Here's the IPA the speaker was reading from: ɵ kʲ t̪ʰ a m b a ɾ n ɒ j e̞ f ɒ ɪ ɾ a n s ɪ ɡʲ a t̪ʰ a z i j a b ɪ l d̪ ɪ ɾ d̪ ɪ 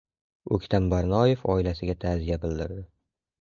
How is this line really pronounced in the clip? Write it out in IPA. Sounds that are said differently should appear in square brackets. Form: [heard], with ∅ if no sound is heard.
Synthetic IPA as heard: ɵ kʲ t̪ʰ a m b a ɾ n ɒ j e̞ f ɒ ɪ [l] a [∅] s ɪ ɡʲ a t̪ʰ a z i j a b ɪ l d̪ ɪ ɾ d̪ ɪ